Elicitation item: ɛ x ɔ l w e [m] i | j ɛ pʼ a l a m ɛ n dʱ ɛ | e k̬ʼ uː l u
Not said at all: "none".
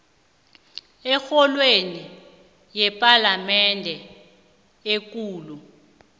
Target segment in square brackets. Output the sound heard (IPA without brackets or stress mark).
n